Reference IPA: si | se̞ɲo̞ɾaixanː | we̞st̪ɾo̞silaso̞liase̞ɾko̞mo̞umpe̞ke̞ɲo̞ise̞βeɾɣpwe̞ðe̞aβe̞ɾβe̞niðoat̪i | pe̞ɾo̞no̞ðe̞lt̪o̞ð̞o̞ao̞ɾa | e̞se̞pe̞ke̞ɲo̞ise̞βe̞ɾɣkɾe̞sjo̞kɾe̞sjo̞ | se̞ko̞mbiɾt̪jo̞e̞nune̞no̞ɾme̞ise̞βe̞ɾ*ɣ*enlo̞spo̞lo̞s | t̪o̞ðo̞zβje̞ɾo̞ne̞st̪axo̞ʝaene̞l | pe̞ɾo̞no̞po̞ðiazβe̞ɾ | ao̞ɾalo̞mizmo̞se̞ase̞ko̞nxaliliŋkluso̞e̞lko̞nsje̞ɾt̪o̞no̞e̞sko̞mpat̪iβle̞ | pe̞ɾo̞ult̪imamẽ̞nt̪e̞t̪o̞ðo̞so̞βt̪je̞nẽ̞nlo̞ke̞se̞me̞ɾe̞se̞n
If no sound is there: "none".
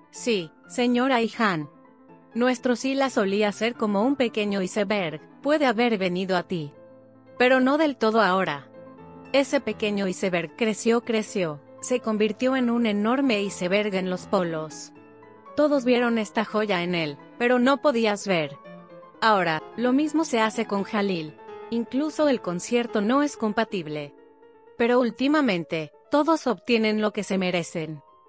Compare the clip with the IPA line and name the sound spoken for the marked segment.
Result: ɣ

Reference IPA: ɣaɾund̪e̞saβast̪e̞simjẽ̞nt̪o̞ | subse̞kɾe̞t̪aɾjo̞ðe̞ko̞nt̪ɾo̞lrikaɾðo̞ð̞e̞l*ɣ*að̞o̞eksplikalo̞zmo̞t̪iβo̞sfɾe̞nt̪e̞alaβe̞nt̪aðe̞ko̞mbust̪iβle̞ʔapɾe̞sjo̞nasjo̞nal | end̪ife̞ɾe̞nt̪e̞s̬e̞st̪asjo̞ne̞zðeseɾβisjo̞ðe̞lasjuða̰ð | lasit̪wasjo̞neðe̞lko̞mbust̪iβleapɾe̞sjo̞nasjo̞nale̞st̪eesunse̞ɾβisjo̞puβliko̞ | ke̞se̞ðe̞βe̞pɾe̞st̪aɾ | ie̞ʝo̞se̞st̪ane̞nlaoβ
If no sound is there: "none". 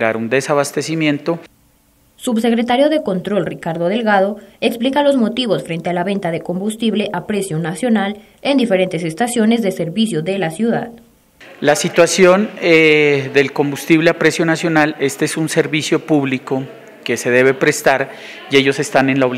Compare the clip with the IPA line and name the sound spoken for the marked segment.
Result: ɣ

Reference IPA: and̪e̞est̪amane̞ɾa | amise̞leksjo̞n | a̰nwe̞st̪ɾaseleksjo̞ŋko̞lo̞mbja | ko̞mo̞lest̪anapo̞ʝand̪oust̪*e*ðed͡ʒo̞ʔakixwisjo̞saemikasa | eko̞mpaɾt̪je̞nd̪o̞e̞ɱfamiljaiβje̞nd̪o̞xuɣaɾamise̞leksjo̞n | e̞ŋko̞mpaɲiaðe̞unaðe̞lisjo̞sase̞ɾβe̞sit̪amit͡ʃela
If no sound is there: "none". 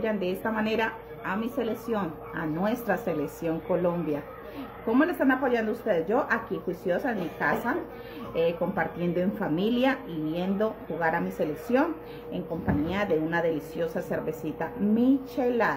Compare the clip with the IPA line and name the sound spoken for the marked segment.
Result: e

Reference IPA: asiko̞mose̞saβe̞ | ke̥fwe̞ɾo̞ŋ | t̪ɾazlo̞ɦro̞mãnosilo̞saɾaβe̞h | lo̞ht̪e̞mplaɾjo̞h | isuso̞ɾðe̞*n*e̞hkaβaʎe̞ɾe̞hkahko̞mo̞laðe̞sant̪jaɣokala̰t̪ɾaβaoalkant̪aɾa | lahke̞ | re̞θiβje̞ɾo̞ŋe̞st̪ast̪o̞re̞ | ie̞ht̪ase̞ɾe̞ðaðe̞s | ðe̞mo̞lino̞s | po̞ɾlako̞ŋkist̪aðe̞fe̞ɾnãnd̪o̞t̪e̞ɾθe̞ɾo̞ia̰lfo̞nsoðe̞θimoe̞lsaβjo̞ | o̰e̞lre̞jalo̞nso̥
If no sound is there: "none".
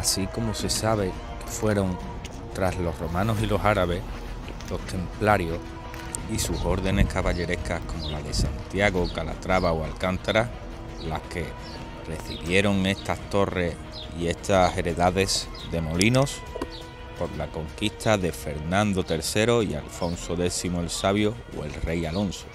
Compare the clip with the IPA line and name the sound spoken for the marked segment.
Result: n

